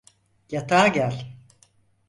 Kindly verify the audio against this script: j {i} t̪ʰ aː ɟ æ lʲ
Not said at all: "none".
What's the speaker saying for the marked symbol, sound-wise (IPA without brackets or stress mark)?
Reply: a